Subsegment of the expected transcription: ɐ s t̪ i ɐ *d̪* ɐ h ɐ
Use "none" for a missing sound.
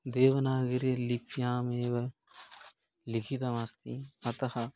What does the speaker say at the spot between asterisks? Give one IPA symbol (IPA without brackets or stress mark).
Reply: t̪